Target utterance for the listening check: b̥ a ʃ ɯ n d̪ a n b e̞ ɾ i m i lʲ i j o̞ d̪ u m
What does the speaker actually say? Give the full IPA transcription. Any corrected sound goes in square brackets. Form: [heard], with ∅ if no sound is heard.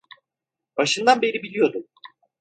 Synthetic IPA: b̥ a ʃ ɯ n d̪ a n b e̞ ɾ i [b] i lʲ i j o̞ d̪ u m